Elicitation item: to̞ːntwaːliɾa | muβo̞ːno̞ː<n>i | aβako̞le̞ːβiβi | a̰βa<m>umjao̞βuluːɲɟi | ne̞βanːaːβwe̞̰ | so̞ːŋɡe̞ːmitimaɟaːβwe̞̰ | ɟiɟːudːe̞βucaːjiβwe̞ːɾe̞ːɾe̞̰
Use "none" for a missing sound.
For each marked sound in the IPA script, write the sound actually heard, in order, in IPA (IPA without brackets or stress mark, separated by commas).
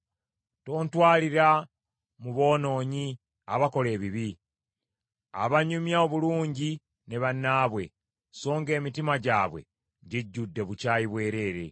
ɲ, ɲ